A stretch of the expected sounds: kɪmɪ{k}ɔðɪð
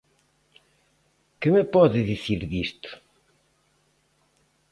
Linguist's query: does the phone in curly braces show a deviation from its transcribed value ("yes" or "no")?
yes